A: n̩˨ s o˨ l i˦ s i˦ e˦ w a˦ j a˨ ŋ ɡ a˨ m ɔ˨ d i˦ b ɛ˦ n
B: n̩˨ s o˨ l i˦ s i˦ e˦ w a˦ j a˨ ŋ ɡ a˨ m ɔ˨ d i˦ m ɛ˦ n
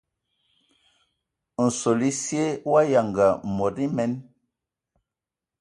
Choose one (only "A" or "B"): B